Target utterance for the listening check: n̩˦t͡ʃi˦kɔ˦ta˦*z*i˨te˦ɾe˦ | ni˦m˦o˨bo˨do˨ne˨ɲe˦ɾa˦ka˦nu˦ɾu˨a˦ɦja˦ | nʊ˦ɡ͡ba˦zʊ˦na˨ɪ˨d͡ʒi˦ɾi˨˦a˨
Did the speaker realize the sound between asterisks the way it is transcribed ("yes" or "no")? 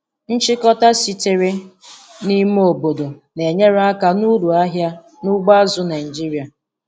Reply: no